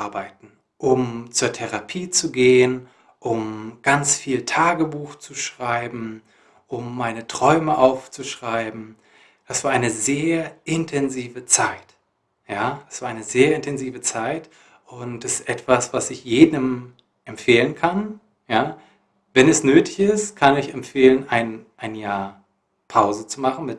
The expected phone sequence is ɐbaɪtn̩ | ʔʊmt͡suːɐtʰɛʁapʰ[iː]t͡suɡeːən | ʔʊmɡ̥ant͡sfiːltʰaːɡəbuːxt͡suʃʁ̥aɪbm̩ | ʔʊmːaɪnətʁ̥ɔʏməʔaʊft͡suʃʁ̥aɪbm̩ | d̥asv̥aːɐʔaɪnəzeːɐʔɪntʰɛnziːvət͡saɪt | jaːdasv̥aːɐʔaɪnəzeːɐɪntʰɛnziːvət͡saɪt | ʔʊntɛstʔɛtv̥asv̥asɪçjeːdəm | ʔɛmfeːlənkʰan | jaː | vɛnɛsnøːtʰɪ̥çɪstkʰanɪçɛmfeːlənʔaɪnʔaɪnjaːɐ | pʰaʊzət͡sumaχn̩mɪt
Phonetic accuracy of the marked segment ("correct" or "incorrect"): correct